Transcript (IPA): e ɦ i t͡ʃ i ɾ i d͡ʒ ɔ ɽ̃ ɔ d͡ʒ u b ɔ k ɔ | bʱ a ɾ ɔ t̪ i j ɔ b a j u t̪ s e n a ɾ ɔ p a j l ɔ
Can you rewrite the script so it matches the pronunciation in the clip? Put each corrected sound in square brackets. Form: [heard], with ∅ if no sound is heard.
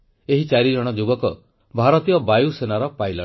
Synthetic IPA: e ɦ i t͡ʃ [a] ɾ i d͡ʒ ɔ ɽ̃ ɔ d͡ʒ u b ɔ k ɔ | bʱ a ɾ ɔ t̪ i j ɔ b a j u [∅] s e n a ɾ ɔ p a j l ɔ